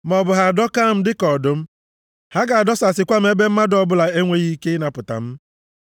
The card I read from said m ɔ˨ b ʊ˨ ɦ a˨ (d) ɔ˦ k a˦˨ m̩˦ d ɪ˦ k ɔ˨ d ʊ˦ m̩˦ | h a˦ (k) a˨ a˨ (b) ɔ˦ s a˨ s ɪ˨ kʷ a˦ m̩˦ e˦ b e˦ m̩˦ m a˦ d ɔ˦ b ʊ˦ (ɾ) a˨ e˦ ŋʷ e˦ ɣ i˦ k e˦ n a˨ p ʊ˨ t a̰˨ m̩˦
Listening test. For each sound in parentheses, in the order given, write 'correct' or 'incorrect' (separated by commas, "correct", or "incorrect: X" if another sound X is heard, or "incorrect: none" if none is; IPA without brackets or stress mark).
correct, incorrect: ɡ, incorrect: d, incorrect: l